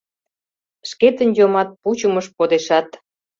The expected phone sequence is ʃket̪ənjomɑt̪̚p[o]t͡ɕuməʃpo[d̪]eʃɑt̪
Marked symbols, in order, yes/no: no, yes

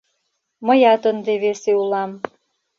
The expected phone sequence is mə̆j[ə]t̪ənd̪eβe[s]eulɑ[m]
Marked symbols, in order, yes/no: no, yes, yes

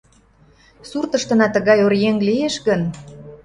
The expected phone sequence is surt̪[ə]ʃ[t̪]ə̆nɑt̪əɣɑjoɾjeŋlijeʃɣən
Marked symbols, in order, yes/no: yes, yes

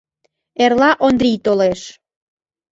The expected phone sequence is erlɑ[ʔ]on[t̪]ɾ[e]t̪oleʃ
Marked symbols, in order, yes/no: yes, no, no

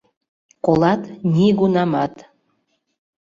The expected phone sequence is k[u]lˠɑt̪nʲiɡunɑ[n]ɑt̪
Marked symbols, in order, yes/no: no, no

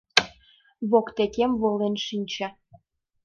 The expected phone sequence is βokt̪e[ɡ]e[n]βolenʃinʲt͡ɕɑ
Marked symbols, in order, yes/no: no, no

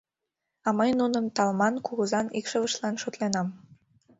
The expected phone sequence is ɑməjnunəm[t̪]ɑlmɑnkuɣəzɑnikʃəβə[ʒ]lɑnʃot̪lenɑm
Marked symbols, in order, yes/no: yes, no

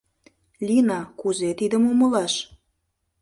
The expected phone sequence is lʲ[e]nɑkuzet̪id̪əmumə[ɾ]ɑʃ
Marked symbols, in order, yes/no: no, no

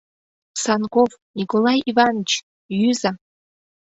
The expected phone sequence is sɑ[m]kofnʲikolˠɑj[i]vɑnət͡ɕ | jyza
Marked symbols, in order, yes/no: no, yes

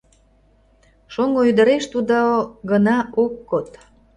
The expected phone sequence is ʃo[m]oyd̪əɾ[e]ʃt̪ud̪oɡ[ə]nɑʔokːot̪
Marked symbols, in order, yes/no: no, yes, yes

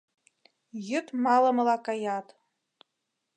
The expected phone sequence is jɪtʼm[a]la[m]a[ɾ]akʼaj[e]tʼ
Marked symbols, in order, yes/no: yes, yes, no, no

